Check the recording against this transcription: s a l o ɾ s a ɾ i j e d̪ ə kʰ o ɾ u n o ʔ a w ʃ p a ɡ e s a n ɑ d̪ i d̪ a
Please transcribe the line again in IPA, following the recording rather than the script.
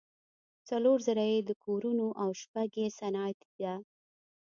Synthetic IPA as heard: t͡s a l o ɾ z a ɾ a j e d̪ ə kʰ o ɾ u n o ʔ a w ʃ p a ɡ e s a n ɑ t̪ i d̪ a